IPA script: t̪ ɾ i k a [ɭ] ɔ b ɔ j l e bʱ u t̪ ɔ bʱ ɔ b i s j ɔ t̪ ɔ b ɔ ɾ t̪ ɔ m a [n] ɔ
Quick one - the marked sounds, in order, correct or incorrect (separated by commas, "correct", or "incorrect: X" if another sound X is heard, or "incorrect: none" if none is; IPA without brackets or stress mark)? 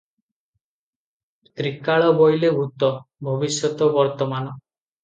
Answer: correct, correct